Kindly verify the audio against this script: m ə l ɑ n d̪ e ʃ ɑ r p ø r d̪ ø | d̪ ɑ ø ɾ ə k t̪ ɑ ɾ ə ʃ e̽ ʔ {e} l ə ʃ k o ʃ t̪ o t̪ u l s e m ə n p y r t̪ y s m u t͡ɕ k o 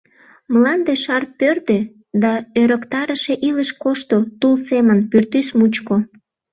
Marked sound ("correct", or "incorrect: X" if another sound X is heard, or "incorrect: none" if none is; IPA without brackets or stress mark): incorrect: i